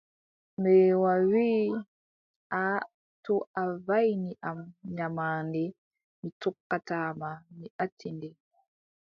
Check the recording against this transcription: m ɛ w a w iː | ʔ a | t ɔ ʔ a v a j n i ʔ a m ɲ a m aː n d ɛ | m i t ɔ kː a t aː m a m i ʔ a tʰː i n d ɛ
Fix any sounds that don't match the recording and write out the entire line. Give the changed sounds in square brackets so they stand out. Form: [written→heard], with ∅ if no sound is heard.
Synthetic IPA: m ɛ w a w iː | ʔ a | t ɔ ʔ a v a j n i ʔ a m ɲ a m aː n d ɛ | m i t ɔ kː a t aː m a m i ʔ a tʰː i n d ɛ